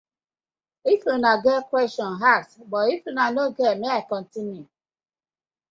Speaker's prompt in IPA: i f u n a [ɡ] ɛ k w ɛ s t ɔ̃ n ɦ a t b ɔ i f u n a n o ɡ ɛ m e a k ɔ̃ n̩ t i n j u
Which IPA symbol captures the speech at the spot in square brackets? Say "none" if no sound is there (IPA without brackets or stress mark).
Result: ɡ